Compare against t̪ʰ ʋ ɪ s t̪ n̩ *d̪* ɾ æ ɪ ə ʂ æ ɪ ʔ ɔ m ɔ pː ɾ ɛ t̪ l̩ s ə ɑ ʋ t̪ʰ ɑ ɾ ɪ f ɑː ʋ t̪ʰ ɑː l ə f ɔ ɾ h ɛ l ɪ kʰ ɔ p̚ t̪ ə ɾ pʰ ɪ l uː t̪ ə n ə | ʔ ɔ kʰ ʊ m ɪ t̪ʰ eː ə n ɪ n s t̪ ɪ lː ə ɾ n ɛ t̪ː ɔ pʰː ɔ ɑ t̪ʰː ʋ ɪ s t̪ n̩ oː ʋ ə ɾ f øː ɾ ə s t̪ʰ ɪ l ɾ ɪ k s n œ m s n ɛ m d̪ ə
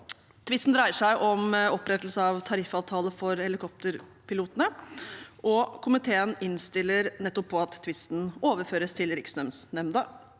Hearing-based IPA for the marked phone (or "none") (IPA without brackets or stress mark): d̪